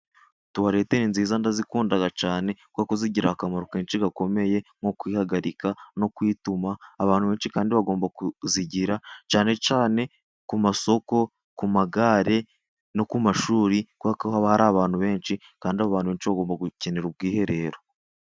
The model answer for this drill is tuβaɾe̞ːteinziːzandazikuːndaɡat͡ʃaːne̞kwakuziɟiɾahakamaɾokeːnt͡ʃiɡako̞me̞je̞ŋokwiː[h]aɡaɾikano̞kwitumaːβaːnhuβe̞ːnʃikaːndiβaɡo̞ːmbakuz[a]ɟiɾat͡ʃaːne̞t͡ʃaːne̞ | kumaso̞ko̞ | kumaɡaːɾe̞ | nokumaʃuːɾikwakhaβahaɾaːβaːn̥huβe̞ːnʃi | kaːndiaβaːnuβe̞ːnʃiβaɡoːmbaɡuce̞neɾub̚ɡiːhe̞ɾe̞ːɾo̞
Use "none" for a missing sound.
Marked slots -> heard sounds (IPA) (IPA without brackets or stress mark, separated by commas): h, i